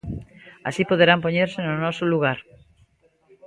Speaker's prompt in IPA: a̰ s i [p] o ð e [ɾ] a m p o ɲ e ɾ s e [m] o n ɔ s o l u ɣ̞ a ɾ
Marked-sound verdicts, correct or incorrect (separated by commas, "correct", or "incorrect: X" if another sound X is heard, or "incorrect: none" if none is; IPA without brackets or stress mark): correct, correct, incorrect: n